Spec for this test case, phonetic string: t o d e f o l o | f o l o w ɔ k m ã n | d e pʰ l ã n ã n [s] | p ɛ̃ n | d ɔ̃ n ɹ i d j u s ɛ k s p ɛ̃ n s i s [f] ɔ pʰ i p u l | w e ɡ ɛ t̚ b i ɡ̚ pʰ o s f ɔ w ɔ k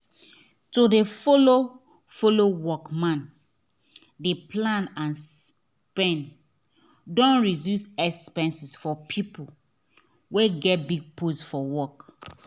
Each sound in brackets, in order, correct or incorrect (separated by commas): correct, correct